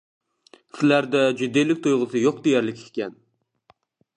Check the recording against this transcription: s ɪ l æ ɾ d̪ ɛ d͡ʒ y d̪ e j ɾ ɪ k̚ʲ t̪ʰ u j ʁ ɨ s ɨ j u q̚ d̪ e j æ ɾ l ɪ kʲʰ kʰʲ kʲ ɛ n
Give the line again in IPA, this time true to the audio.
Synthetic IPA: s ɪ l æ ɾ d̪ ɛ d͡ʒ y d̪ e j l ɪ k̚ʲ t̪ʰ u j ʁ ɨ s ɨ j o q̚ d̪ e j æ ɾ l ɪ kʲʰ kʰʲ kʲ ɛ n